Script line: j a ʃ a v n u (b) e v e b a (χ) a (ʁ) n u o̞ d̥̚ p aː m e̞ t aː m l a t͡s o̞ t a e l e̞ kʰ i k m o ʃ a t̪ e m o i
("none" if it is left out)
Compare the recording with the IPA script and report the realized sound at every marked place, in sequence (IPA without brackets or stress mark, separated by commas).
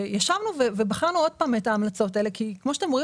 v, χ, ʁ